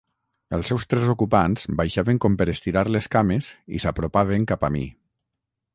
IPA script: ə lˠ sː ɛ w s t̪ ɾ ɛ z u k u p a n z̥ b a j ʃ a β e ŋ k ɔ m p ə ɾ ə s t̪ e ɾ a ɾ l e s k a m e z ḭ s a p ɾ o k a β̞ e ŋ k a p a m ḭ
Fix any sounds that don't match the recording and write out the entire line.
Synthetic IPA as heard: ə lˠ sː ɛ w s t̪ ɾ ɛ z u k u p a n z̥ b a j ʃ a β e ŋ k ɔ m p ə ɾ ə s t̪ i ɾ a ɾ l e s k a m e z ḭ s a p ɾ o p a β̞ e ŋ k a p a m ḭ